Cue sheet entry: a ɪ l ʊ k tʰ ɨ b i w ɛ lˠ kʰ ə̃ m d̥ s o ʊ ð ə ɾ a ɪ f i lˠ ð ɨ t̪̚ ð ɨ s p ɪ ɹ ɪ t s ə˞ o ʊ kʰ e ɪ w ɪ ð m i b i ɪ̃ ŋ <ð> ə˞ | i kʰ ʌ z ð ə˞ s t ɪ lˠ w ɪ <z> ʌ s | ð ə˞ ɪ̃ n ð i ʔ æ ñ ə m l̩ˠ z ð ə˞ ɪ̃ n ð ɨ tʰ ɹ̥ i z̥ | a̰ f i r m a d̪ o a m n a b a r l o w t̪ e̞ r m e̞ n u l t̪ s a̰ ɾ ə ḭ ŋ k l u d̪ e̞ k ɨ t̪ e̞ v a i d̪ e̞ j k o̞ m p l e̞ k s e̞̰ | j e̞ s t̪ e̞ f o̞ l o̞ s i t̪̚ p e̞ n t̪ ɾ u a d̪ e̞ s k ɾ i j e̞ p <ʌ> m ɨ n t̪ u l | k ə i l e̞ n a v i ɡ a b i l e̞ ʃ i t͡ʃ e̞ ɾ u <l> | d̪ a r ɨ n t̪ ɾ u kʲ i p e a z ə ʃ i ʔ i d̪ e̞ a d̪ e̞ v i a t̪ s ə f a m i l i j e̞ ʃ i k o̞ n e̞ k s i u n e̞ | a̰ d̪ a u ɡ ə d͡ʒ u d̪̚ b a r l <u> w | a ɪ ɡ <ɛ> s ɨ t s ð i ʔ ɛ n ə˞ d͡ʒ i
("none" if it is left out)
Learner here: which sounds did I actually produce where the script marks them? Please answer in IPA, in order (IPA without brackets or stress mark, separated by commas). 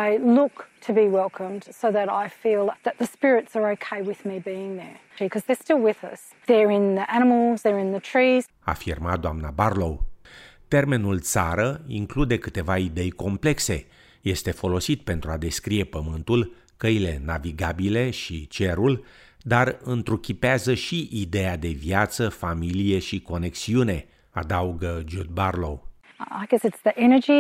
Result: ð, ð, ə, l, o, ɛ